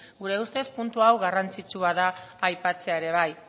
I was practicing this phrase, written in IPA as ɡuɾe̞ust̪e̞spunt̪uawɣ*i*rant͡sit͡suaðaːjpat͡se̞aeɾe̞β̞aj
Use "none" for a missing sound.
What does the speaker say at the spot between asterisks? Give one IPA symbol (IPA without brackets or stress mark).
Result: a